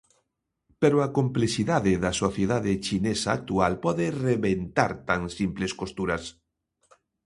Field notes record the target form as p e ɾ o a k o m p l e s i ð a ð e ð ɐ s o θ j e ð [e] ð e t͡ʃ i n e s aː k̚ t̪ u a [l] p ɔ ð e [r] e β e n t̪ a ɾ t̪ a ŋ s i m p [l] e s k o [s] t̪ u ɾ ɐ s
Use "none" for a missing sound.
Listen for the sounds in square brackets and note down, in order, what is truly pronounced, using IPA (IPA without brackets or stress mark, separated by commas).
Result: a, l, r, l, s